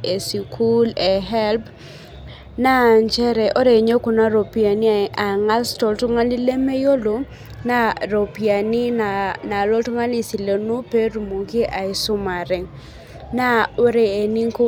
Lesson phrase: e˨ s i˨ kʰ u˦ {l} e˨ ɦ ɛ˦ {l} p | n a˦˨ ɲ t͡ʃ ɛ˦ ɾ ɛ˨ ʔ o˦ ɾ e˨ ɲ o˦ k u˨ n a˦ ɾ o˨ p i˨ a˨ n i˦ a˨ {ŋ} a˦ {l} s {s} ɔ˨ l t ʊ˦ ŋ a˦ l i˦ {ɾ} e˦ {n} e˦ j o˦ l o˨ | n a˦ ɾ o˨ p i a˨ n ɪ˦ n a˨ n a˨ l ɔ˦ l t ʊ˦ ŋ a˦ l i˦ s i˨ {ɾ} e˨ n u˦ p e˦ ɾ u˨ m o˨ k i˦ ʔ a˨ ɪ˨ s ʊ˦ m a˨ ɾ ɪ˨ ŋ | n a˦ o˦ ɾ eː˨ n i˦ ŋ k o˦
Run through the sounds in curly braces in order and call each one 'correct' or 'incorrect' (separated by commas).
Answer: correct, correct, correct, correct, incorrect, incorrect, incorrect, incorrect